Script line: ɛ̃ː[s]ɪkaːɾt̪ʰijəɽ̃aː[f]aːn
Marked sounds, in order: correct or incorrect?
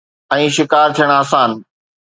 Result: incorrect, incorrect

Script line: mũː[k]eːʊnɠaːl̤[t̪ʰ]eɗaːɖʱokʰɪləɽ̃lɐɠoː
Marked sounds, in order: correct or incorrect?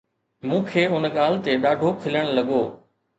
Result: incorrect, incorrect

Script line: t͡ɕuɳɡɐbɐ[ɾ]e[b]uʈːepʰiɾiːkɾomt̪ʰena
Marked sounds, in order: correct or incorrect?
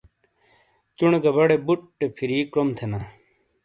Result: incorrect, correct

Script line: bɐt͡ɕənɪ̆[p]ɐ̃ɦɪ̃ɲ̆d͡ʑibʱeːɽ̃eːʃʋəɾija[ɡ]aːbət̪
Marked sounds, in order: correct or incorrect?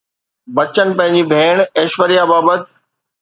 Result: correct, incorrect

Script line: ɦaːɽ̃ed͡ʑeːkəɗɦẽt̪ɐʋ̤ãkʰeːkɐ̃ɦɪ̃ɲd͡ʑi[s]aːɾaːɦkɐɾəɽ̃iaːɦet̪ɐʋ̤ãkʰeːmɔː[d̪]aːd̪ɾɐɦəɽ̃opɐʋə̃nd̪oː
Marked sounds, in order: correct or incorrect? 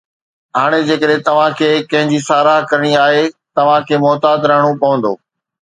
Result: correct, incorrect

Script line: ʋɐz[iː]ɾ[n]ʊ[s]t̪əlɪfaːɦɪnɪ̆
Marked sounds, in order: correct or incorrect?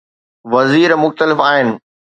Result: correct, incorrect, incorrect

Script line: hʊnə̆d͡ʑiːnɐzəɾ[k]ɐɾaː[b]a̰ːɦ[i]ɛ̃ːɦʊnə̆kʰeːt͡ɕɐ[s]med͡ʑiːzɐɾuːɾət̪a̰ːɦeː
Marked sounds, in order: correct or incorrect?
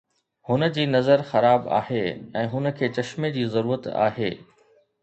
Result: incorrect, correct, incorrect, incorrect

